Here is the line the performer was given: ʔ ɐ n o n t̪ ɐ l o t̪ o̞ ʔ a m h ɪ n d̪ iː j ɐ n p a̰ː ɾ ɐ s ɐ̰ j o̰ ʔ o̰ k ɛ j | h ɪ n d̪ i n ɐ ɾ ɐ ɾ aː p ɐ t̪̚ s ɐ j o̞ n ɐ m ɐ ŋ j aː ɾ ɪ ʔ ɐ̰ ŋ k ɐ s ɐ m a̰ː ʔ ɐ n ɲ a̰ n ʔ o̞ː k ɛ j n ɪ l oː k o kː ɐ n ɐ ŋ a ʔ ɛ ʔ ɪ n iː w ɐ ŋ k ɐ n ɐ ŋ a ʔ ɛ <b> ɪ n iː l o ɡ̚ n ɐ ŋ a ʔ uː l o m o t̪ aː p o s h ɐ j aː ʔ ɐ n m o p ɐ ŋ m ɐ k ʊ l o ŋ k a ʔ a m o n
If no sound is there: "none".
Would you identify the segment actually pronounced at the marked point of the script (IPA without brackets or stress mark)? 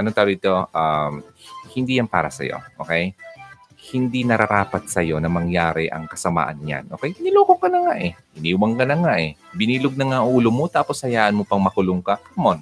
b